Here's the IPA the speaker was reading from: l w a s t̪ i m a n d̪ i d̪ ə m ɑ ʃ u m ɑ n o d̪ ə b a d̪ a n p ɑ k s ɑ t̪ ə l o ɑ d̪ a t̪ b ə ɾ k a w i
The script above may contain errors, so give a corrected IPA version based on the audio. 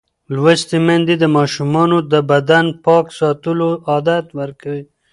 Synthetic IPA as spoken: l w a s t̪ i m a n d̪ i d̪ ə m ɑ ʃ u m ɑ n o d̪ ə b a d̪ a n p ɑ k s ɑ t̪ ə l o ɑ d̪ a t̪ w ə ɾ k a w i